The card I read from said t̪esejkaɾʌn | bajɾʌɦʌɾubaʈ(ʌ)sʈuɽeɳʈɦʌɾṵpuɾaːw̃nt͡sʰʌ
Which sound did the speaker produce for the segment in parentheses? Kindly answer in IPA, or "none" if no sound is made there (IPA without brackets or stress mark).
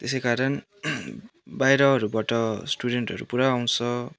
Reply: ʌ